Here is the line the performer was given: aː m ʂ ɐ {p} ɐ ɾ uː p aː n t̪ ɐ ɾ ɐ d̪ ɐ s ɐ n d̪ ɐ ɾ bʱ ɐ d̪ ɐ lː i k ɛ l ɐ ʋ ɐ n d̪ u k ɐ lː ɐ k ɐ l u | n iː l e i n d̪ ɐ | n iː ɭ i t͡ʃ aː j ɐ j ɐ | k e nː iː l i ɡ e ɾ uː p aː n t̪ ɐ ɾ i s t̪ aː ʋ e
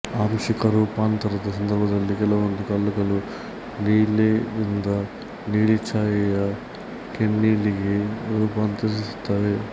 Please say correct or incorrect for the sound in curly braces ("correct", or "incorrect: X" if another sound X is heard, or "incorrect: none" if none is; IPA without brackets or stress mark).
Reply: incorrect: k